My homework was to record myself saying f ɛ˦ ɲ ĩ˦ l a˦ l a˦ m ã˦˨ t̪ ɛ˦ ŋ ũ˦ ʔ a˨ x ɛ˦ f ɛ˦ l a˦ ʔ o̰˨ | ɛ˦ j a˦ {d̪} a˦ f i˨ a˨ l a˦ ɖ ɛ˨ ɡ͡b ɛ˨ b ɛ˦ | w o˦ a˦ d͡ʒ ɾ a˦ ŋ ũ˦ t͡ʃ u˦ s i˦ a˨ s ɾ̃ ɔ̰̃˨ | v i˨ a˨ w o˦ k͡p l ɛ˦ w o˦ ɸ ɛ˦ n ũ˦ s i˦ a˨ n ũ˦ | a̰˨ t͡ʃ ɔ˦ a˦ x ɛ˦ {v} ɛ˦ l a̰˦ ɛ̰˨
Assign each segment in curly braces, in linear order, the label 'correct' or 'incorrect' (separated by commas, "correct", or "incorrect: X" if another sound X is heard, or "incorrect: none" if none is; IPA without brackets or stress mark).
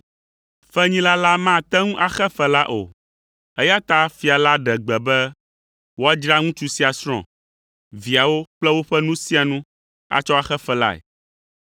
incorrect: t̪, incorrect: f